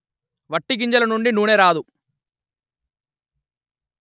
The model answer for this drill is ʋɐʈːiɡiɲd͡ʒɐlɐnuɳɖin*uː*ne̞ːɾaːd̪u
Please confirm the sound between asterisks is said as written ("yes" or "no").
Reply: yes